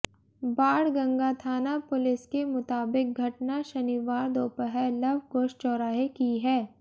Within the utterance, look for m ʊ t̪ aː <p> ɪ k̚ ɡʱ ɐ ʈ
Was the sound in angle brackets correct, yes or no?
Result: no